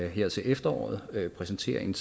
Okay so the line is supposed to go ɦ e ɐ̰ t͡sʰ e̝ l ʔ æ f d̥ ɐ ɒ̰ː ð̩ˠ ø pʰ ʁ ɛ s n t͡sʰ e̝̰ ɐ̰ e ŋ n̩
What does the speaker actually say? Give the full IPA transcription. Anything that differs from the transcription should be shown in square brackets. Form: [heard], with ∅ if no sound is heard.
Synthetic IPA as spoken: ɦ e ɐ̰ t͡sʰ e̝ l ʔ [e] f d̥ ɐ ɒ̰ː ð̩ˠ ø pʰ ʁ ɛ s n t͡sʰ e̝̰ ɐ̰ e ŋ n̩